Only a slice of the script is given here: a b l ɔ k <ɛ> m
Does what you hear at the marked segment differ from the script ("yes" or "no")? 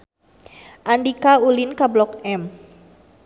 no